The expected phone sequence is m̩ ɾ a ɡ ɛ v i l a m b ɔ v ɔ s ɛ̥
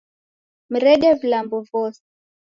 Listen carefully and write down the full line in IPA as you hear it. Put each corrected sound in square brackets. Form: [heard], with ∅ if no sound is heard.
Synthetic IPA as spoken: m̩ ɾ [ɛ] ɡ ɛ v i l a m b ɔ v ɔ s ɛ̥